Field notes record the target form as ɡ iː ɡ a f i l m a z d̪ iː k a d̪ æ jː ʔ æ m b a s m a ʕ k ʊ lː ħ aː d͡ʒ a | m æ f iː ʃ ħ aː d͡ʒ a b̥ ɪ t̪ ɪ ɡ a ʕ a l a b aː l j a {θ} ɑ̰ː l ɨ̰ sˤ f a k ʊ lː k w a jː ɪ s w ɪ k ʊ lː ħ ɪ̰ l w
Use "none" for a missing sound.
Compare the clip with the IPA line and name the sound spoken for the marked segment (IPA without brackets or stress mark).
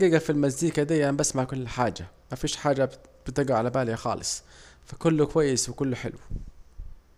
x